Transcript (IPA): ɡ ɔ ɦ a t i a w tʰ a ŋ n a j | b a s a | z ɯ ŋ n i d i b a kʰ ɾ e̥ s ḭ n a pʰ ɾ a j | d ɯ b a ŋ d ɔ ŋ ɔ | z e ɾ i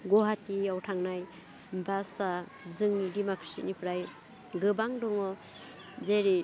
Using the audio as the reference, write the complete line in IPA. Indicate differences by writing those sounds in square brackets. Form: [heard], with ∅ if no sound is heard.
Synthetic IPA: ɡ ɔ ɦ a t i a w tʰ a ŋ n a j | b a s a | z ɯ ŋ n i d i [m] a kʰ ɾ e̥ s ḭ n [i] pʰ ɾ a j | [ɡ] ɯ b a ŋ d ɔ ŋ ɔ | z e ɾ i